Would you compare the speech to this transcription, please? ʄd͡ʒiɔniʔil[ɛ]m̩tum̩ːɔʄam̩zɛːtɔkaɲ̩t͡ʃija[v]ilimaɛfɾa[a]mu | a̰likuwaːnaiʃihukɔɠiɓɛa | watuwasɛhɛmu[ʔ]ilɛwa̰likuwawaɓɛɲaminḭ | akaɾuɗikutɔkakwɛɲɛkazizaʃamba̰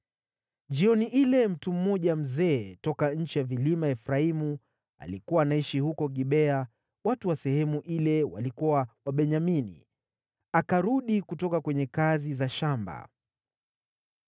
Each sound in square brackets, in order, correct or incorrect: correct, correct, incorrect: i, correct

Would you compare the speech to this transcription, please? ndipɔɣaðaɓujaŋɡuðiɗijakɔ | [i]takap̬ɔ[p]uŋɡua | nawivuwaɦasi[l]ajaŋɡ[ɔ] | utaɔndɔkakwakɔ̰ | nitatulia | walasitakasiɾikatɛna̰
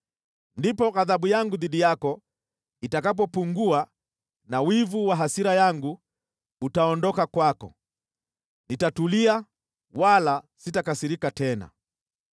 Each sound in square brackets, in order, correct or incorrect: correct, correct, incorrect: ɾ, incorrect: u

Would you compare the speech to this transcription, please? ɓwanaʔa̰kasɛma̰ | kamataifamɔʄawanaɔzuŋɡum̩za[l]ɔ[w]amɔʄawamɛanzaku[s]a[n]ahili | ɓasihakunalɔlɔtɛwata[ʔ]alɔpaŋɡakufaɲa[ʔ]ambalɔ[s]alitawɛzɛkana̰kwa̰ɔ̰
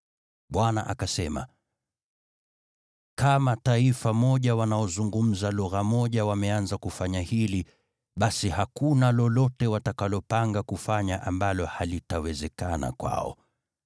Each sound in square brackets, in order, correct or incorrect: correct, incorrect: ɣ, incorrect: f, incorrect: ɲ, incorrect: k, correct, incorrect: h

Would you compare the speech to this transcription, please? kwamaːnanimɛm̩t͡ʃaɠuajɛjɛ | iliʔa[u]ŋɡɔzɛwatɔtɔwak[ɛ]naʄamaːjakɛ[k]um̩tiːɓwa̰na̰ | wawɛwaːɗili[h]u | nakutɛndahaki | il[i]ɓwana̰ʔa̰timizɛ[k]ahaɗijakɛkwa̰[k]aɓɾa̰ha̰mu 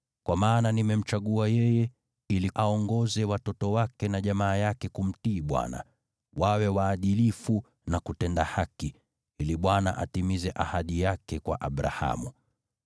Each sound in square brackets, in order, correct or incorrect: incorrect: ɔ, correct, correct, incorrect: f, correct, incorrect: ʔ, incorrect: ʔ

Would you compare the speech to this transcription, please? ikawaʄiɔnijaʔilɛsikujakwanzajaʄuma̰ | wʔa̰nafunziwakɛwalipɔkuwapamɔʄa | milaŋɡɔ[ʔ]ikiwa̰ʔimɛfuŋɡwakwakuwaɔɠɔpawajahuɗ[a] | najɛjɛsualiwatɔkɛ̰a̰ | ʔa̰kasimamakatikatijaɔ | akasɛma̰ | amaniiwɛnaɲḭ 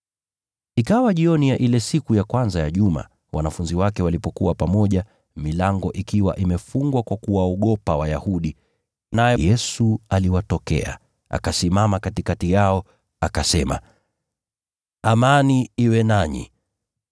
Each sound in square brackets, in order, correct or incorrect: correct, incorrect: i

